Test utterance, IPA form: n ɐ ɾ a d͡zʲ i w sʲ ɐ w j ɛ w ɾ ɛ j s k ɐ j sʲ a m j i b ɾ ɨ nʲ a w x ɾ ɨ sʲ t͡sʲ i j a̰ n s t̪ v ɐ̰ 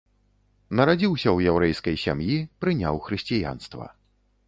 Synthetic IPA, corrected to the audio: n ɐ ɾ a d͡zʲ i w sʲ ɐ w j ɛ w ɾ ɛ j s k ɐ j sʲ a m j i p ɾ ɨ nʲ a w x ɾ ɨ sʲ t͡sʲ i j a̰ n s t̪ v ɐ̰